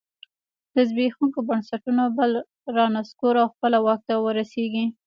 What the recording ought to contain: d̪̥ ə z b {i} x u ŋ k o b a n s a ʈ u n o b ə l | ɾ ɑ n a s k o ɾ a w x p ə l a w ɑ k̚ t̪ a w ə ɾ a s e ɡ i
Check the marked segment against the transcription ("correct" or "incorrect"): incorrect